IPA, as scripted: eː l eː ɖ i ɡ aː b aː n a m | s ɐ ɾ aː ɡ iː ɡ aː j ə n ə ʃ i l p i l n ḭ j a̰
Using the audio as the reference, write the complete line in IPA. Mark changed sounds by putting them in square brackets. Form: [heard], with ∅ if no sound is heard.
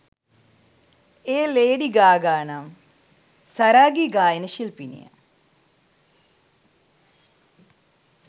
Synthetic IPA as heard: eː l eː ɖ i ɡ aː [ɡ] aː n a m | s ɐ ɾ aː ɡ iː ɡ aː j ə n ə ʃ i l p i [∅] n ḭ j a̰